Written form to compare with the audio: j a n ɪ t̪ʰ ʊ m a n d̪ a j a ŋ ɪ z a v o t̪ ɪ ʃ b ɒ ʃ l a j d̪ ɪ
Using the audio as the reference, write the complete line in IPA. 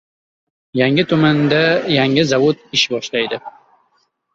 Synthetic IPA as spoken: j a ŋ ɪ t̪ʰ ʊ m a n d̪ a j a ŋ ɪ z a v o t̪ ɪ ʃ b ɒ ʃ l a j d̪ ɪ

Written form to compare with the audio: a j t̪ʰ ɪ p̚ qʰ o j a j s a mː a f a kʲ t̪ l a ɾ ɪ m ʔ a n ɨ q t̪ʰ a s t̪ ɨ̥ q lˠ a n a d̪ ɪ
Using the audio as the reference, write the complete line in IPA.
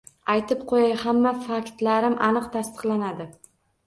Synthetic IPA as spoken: a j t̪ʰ ɪ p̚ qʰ o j a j h a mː a f a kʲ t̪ l a ɾ ɪ m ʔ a n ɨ q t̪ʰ a s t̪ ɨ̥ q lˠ a n a d̪ ɪ

